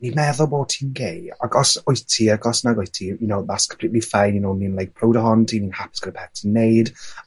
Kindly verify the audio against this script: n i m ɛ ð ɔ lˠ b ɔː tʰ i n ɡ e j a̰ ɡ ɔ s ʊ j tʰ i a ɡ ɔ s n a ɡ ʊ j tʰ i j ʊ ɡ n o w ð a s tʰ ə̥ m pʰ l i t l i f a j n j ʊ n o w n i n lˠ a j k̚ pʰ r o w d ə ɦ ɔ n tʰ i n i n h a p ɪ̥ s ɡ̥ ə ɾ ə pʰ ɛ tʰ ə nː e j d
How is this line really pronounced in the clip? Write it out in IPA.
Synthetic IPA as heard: n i m ɛ ð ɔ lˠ b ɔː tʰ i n ɡ e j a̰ ɡ ɔ s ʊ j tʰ i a ɡ ɔ s n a ɡ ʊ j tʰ i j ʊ n o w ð a s kʰ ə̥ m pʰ l i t l i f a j n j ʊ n o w n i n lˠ a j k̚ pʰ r o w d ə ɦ ɔ n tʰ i n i n h a p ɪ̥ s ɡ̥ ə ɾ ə pʰ ɛ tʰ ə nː e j d